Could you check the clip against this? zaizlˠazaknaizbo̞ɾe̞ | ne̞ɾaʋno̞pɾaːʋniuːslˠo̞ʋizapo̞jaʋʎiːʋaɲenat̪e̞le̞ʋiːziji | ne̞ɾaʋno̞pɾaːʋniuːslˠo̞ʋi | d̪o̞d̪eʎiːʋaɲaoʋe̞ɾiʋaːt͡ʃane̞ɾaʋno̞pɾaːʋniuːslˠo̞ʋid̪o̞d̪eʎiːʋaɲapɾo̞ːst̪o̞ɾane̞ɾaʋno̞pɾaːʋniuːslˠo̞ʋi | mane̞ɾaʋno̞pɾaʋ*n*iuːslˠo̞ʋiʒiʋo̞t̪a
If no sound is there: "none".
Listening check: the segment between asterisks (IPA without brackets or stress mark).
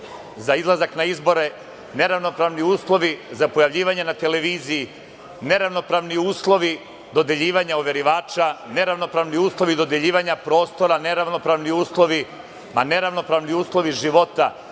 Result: n